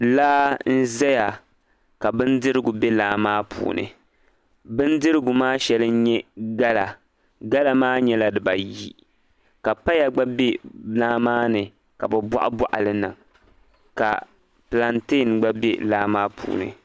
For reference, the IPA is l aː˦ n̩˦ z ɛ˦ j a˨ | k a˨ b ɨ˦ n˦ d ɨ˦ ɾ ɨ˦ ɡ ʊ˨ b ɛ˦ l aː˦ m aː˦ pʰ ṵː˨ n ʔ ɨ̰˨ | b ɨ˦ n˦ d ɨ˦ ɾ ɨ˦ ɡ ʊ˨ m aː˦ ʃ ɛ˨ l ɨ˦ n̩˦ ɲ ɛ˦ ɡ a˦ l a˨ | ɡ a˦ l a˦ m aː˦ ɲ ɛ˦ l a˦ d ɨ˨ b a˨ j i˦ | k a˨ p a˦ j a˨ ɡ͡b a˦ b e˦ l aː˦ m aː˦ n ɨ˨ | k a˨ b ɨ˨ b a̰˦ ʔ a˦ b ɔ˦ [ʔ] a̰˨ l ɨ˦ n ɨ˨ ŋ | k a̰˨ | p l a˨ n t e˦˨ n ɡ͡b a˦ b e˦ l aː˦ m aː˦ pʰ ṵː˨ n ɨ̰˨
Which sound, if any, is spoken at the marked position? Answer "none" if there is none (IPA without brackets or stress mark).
ʔ